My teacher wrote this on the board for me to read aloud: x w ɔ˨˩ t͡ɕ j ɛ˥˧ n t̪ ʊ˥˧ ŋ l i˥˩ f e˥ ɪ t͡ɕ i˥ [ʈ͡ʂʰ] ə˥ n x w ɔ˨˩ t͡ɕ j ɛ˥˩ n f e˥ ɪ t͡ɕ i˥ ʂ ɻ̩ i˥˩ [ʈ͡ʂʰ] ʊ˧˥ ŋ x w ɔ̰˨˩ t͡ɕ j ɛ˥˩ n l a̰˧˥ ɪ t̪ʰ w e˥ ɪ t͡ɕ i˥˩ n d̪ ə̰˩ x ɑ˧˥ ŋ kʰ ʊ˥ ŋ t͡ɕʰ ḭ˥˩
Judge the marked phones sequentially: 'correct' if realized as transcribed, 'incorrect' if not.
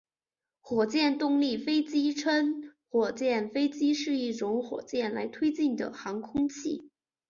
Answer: correct, incorrect: ʈ͡ʂ

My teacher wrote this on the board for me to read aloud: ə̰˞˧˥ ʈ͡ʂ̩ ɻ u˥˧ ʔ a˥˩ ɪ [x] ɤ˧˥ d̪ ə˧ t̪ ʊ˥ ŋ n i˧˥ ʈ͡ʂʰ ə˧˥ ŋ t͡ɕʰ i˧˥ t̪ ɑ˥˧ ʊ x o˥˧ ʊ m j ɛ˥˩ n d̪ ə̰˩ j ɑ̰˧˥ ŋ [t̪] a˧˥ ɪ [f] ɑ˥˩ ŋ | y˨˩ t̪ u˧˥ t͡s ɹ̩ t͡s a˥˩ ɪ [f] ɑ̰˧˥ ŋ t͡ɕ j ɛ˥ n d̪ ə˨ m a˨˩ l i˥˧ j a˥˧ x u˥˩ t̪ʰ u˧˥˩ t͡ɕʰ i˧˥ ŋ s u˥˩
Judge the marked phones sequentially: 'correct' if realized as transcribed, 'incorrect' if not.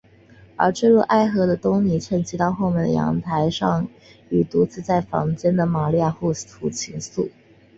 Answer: correct, incorrect: t̪ʰ, incorrect: ʂ, correct

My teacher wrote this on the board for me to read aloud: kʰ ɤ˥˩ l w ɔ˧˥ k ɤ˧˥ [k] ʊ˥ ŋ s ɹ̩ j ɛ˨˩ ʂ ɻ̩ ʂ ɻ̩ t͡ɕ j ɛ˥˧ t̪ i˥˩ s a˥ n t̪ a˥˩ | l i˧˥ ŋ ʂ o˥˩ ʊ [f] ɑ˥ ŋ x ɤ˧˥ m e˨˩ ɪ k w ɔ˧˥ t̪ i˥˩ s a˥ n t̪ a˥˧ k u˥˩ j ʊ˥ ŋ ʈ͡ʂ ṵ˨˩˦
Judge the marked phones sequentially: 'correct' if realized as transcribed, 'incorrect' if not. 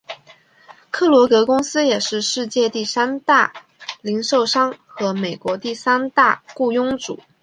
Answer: correct, incorrect: ʂ

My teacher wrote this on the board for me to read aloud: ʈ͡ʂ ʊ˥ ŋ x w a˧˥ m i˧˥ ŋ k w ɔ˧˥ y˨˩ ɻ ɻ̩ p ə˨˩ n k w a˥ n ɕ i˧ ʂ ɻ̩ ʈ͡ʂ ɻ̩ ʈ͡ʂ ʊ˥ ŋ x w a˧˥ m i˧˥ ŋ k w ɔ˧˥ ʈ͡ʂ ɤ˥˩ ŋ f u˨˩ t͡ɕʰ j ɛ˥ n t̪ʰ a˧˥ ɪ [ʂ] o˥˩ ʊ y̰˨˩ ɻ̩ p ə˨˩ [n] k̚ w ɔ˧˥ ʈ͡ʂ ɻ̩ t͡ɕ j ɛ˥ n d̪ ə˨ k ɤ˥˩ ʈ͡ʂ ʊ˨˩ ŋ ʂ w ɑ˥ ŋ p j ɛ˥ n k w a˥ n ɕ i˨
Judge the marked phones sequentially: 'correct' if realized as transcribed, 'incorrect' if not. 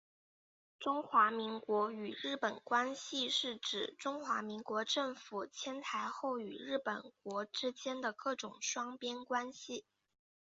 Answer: incorrect: x, correct

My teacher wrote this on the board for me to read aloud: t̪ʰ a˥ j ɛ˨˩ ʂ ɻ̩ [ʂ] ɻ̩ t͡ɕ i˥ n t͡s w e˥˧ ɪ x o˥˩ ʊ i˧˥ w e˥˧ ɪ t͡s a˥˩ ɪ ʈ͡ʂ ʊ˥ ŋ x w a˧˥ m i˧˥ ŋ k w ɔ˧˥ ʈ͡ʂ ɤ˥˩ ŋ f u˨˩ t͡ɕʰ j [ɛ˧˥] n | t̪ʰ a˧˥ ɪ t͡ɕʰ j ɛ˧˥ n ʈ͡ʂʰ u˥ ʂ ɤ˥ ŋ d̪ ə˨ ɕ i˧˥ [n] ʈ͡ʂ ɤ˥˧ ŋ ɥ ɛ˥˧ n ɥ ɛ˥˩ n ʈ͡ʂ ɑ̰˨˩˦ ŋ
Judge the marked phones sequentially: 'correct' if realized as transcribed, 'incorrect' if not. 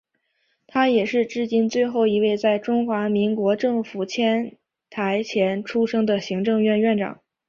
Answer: incorrect: ʈ͡ʂ, incorrect: ɛ˥, incorrect: ŋ

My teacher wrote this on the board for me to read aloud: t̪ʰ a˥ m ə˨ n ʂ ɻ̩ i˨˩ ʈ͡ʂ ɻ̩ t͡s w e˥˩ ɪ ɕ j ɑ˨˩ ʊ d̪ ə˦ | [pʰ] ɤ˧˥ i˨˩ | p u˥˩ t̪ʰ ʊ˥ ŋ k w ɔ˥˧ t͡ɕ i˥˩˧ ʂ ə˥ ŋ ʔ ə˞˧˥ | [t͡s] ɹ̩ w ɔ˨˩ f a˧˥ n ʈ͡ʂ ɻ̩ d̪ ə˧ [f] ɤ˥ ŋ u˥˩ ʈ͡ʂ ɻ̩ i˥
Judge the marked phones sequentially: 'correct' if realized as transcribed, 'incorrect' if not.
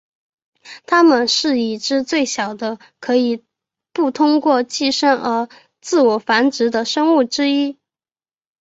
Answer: incorrect: kʰ, correct, incorrect: ʂ

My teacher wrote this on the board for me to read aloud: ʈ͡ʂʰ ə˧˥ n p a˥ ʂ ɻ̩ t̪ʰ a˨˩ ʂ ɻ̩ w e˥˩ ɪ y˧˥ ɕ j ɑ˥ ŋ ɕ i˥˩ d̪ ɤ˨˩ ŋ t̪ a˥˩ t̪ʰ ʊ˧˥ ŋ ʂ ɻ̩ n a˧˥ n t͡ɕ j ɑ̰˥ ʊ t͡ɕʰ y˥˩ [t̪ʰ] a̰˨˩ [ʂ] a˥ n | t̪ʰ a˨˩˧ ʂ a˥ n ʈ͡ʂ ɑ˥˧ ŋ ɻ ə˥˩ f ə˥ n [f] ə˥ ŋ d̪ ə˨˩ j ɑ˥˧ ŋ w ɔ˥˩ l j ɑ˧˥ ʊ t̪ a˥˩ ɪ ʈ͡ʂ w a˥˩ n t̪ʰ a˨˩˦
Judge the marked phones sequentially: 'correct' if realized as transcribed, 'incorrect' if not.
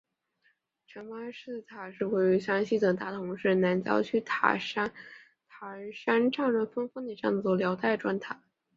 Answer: correct, correct, correct

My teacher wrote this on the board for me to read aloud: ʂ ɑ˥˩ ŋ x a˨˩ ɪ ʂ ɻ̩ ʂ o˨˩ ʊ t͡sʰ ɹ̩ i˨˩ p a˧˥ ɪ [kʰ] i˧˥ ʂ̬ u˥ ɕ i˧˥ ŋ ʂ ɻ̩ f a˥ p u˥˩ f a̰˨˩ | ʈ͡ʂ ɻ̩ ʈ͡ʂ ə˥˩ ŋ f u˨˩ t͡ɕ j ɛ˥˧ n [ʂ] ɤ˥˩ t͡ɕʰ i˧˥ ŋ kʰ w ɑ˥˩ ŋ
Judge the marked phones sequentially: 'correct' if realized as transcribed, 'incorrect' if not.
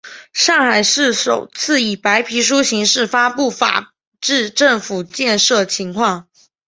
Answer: incorrect: pʰ, correct

